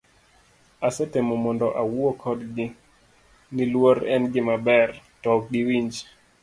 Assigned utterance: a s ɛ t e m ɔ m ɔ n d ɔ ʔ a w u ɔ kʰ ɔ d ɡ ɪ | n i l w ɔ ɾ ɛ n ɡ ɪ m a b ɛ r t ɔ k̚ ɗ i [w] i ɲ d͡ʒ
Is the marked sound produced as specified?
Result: yes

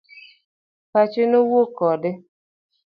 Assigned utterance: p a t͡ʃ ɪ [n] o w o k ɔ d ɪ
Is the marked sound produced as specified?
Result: yes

